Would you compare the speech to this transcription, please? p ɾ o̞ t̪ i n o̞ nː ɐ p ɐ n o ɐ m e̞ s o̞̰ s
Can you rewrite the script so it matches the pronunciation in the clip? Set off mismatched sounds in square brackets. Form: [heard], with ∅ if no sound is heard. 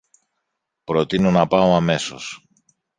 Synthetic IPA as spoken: p ɾ o̞ t̪ i n o̞ [n] ɐ p ɐ [∅] o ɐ m e̞ s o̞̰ s